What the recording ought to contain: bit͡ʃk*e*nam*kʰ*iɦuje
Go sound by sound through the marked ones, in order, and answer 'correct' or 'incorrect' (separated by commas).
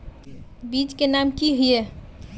correct, incorrect